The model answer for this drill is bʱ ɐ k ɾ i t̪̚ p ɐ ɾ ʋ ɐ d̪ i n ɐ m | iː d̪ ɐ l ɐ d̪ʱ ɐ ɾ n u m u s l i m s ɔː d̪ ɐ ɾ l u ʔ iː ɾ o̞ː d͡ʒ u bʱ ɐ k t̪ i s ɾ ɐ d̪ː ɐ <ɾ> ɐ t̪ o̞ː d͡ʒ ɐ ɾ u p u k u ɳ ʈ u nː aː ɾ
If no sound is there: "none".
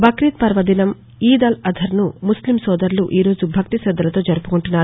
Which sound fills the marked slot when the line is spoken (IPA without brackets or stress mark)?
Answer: l